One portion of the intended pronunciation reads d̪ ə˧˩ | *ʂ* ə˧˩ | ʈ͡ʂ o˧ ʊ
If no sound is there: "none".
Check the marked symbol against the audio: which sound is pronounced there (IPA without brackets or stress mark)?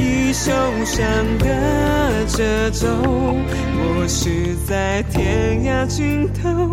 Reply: ʈ͡ʂ